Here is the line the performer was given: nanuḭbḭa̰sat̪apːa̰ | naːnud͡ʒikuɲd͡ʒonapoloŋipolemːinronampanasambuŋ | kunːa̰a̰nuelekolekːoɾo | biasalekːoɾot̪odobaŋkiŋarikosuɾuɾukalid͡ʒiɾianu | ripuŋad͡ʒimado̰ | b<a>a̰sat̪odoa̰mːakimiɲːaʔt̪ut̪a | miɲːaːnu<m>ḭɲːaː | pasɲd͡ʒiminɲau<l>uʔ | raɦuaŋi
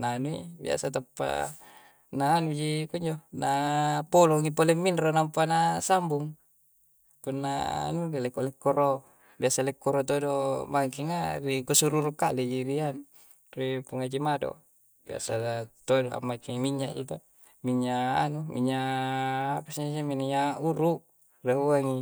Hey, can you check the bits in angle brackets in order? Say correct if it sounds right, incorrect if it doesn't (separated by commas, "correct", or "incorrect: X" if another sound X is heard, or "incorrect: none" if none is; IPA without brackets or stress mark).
incorrect: i, correct, incorrect: ɾ